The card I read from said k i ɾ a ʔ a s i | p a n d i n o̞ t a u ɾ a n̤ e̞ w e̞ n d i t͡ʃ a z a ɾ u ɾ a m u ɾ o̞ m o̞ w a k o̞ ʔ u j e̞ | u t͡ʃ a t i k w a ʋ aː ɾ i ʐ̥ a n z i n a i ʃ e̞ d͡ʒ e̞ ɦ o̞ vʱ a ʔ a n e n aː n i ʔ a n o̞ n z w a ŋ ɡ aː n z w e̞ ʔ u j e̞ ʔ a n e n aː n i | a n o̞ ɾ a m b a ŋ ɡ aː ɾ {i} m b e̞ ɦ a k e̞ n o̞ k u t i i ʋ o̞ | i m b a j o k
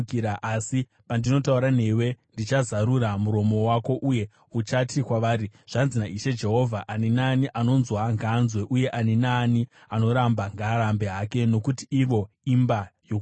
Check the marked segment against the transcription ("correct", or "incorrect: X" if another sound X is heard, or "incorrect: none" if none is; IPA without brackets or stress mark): incorrect: a